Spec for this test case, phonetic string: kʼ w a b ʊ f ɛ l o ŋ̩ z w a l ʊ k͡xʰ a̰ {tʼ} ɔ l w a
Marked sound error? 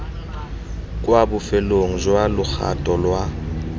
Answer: no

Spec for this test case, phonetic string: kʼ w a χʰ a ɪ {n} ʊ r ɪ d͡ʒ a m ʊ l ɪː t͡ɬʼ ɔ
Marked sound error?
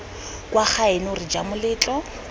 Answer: no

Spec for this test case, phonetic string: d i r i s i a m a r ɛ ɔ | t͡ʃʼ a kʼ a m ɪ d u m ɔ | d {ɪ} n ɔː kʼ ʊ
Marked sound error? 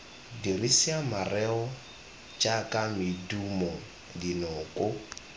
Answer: yes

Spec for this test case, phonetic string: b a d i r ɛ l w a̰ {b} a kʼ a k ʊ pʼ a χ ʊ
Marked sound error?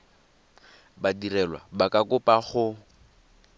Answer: no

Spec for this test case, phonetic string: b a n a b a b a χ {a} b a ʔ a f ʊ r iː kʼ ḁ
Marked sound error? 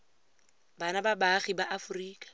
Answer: yes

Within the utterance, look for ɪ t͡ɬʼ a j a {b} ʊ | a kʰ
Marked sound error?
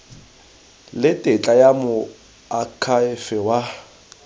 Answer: yes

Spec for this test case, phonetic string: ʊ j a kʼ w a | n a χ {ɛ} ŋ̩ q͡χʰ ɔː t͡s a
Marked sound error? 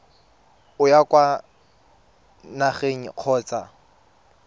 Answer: yes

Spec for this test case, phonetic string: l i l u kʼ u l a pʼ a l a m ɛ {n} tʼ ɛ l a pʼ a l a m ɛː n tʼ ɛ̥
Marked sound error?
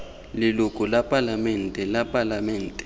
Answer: no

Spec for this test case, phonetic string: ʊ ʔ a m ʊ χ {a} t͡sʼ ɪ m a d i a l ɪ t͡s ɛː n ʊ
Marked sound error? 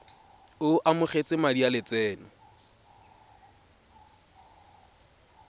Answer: yes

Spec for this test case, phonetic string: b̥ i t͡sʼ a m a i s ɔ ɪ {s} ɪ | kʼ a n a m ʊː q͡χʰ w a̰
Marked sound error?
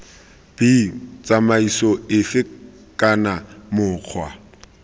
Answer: yes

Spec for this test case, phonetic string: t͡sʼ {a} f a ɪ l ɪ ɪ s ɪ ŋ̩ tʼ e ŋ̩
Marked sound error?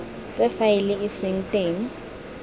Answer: yes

